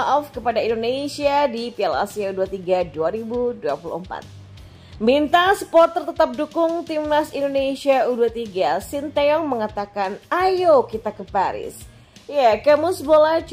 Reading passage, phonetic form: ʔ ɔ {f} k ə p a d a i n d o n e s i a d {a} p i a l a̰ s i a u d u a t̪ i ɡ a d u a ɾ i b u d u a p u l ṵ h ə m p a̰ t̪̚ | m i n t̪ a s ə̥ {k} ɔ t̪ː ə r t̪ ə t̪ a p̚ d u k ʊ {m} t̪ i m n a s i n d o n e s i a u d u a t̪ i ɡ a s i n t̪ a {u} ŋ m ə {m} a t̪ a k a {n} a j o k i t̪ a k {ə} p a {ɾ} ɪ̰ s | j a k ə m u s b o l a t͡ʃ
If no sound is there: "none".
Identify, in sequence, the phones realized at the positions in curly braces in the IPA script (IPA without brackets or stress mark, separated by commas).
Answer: f, i, p, ŋ, ɔ, ŋ, n, ə, ɾ